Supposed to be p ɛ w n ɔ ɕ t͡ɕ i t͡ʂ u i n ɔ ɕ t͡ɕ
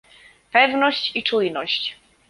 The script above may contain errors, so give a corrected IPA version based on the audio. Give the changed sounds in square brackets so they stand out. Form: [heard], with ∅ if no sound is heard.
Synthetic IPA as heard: p ɛ [v] n ɔ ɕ t͡ɕ i t͡ʂ u [j] n ɔ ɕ t͡ɕ